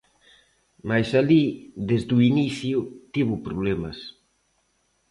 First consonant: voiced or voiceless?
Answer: voiced